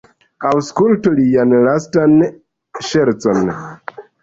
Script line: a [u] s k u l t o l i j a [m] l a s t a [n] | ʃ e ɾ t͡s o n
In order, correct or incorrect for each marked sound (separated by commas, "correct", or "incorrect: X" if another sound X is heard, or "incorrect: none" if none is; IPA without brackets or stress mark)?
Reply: incorrect: w, incorrect: n, correct